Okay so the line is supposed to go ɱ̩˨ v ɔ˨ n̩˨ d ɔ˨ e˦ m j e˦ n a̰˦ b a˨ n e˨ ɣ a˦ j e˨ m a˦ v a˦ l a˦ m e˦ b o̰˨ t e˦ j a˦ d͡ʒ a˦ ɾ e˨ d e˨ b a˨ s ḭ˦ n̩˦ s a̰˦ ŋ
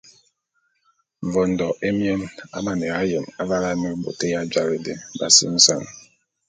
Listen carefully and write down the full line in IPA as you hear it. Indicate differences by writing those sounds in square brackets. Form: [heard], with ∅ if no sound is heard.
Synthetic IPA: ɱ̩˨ v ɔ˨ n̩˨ d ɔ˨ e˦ m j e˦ n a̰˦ [m] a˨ n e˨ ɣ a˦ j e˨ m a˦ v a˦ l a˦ m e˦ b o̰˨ t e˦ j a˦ d͡ʒ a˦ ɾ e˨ d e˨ b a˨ s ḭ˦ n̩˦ s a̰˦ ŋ